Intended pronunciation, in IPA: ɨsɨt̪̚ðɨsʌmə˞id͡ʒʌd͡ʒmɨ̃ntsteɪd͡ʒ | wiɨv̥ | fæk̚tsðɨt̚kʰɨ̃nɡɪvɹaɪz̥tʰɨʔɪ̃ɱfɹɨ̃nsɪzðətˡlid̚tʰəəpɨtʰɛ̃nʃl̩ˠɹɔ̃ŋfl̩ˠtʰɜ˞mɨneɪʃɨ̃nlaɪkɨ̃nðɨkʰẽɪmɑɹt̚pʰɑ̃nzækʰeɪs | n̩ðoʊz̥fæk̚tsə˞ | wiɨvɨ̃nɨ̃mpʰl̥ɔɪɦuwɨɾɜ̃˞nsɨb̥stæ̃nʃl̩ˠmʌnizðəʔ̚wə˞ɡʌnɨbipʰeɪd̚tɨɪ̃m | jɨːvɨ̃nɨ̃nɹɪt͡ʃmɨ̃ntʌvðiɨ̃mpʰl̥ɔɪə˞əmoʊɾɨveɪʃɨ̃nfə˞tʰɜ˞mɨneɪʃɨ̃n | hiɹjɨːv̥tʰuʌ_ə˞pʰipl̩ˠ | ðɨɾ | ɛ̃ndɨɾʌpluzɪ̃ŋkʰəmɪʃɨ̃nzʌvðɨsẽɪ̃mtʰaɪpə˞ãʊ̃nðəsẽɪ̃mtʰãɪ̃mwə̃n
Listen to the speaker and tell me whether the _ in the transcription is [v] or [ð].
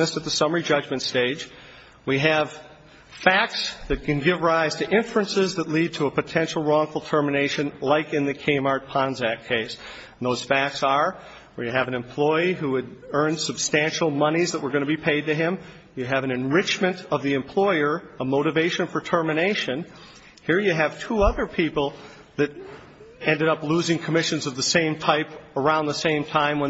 ð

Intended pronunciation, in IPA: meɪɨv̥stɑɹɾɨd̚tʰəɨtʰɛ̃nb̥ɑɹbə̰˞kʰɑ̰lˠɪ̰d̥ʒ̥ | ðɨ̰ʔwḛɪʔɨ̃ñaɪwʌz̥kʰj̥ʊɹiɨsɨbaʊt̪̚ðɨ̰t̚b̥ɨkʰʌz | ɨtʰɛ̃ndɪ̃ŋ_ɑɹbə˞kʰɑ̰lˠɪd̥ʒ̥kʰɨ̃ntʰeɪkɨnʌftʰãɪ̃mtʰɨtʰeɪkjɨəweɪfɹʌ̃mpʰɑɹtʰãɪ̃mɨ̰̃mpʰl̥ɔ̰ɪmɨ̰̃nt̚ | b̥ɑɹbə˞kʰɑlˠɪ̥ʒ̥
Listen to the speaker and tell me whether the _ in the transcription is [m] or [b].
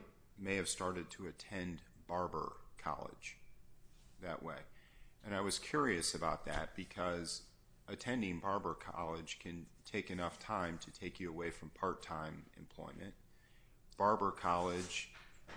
b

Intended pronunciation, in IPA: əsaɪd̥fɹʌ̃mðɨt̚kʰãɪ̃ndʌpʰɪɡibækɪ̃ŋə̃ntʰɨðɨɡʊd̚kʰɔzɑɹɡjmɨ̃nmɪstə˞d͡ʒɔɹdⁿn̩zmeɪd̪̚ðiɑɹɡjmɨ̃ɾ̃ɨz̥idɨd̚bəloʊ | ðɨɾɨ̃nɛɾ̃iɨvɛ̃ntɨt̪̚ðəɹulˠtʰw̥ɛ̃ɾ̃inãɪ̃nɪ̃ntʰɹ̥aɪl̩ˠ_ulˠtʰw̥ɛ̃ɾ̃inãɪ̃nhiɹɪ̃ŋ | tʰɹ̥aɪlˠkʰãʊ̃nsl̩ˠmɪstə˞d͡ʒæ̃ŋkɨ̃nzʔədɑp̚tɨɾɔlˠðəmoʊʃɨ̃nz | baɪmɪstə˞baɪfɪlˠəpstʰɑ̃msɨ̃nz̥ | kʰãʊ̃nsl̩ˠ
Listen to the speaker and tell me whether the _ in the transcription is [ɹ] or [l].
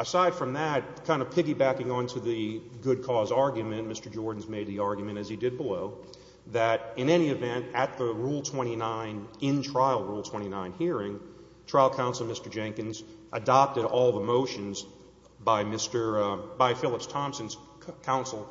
ɹ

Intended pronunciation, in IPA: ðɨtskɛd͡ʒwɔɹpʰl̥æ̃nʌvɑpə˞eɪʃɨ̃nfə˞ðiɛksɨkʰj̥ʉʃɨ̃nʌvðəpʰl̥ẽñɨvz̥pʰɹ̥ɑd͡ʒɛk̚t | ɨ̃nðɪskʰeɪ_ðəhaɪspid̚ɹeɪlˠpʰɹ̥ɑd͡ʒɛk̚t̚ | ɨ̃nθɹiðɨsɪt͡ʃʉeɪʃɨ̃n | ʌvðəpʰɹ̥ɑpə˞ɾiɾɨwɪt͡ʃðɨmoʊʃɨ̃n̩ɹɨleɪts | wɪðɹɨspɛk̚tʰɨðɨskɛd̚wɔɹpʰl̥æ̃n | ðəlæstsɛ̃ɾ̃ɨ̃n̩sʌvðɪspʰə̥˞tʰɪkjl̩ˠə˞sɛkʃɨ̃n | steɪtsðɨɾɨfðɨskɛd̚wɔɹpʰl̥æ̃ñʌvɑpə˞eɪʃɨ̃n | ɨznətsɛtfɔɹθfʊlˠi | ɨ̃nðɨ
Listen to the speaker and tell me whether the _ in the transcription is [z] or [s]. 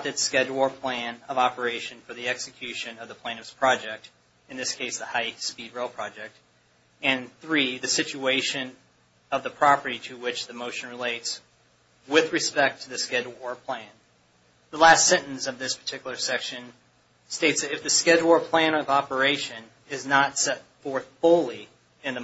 s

